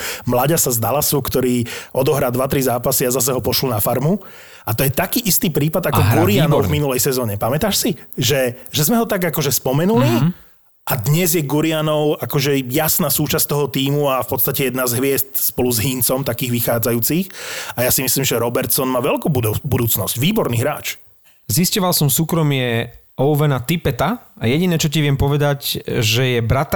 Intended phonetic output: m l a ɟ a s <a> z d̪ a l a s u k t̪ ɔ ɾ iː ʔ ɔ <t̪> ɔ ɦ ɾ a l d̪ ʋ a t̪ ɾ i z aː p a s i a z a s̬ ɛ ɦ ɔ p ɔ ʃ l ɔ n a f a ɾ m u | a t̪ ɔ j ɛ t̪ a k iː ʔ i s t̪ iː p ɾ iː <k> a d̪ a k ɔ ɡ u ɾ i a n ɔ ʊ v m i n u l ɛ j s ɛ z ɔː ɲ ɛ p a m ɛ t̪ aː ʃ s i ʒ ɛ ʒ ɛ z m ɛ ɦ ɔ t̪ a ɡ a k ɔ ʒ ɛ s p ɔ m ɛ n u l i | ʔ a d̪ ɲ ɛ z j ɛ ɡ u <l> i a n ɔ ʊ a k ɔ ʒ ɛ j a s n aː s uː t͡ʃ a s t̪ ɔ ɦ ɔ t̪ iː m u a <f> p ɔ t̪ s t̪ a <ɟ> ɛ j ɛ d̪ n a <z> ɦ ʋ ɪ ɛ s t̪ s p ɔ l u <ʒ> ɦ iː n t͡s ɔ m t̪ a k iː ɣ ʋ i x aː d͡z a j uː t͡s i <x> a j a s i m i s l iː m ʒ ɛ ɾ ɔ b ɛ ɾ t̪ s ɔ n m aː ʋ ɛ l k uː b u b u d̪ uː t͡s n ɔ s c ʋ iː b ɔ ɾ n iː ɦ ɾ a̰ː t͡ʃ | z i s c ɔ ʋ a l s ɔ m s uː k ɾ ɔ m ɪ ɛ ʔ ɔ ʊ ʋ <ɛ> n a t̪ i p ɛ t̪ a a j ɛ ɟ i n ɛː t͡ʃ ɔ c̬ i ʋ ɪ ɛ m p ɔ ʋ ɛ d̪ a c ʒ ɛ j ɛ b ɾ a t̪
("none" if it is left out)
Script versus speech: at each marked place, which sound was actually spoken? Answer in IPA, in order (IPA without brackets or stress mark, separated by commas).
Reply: a, d̪, p, ɾ, f, c, z, z, x, ɛ